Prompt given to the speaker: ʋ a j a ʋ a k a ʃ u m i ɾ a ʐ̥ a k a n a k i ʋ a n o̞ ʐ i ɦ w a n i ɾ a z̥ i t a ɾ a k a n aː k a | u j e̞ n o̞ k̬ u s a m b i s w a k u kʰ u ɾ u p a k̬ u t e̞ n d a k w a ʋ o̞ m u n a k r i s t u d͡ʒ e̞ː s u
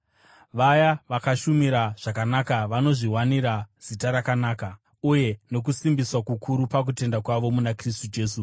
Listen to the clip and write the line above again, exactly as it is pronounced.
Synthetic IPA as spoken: ʋ a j a ʋ a k a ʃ u m i ɾ a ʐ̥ a k a n a k a ʋ a n o̞ ʐ i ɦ w a n i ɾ a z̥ i t a ɾ a k a n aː k a | u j e̞ n o̞ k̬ u s i m b i s w a k u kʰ u ɾ u p a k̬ u t e̞ n d a k w a ʋ o̞ m u n a k r i s t u d͡ʒ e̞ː s u